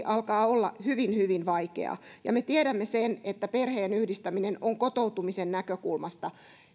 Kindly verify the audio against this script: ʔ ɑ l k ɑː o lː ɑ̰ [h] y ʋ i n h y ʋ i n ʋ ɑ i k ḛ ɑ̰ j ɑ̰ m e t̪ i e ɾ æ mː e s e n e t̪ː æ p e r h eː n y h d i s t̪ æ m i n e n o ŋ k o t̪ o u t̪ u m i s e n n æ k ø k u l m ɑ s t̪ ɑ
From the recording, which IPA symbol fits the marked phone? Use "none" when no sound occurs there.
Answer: h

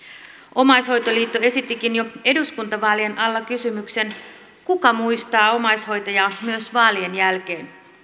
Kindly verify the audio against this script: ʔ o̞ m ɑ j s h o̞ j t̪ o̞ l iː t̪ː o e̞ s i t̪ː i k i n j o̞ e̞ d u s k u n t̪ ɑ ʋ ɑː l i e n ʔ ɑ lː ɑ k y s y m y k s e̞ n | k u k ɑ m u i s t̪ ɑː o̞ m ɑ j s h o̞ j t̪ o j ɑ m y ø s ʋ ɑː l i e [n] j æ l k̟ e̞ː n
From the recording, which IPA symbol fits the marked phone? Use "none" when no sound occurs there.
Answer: n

